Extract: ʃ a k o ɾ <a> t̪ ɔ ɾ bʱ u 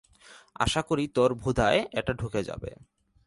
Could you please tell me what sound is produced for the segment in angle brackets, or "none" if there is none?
i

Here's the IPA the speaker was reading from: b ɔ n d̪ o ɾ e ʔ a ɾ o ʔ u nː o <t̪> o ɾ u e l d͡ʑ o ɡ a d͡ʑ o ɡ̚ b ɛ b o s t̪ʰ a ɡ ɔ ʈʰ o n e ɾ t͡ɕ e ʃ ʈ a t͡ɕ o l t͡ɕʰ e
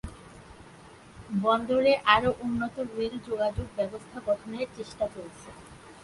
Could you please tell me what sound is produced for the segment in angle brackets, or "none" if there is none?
t̪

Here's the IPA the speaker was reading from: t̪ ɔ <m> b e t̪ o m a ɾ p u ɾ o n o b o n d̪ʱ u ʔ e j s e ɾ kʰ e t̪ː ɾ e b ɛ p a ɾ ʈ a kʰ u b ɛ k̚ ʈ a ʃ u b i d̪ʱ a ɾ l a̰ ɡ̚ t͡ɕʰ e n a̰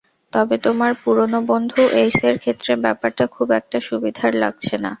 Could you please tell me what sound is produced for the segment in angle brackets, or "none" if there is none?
none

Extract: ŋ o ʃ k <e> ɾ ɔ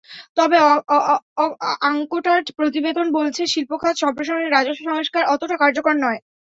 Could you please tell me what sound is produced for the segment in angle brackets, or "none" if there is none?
a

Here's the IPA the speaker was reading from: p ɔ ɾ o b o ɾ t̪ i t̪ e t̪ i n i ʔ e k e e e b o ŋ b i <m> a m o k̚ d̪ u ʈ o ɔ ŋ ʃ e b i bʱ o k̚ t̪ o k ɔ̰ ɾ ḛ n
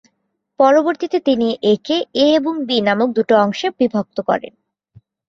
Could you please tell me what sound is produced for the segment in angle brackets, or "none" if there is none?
n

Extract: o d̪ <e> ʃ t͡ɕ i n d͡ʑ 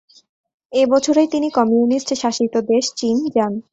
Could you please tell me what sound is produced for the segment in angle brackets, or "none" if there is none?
e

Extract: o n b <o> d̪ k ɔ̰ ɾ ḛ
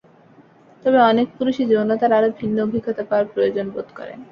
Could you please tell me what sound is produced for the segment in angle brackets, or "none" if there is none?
o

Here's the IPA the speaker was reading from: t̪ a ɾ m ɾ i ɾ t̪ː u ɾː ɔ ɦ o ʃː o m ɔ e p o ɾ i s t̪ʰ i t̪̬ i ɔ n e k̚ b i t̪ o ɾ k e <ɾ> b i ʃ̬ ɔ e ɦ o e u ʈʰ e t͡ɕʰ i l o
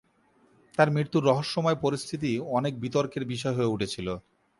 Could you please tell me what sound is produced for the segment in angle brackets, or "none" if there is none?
ɾ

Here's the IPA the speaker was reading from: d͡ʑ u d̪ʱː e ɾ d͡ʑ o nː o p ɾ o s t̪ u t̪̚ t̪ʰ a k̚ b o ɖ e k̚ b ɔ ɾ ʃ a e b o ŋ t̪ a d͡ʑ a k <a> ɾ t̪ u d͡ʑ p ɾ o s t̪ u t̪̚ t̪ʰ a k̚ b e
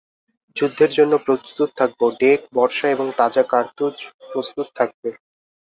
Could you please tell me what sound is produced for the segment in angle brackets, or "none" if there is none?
a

